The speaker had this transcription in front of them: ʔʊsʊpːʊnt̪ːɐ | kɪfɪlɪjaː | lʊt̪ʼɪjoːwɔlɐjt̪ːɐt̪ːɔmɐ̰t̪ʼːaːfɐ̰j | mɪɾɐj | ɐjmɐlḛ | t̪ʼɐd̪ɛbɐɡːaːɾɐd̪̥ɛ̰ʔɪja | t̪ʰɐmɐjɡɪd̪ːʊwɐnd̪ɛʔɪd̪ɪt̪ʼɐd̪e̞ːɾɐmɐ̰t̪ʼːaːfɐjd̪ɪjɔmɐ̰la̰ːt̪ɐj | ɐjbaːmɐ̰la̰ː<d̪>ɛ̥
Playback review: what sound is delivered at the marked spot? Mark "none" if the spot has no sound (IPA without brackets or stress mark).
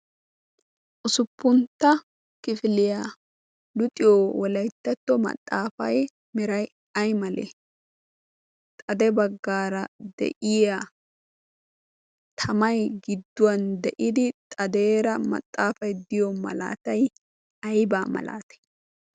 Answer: t̪